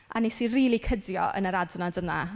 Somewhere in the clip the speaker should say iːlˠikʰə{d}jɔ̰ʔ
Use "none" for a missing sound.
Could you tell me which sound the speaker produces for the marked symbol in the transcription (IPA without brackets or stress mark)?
d